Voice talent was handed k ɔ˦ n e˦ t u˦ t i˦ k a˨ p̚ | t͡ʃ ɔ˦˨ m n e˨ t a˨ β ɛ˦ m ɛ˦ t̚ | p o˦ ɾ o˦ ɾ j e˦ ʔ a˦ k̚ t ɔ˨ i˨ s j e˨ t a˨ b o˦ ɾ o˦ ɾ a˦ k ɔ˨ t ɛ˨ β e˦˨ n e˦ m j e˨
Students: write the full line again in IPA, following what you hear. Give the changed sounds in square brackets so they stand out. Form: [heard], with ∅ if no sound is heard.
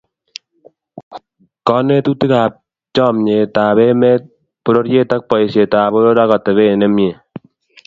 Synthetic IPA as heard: k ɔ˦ n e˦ t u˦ t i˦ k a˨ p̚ | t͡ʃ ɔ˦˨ m [ɲ] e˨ t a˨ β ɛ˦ m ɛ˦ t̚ | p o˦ ɾ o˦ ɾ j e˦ [t] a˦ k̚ [p] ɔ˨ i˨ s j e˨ t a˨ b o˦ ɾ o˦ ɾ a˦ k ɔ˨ t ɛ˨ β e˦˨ n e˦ m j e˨